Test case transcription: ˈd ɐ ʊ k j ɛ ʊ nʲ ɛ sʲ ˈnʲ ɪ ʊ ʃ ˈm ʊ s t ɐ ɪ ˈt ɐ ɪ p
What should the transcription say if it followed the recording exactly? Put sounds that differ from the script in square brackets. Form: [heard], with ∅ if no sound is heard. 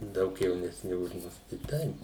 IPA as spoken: ˈd ɐ ʊ k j ɛ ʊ nʲ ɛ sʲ ˈnʲ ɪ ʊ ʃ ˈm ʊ s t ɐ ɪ ˈt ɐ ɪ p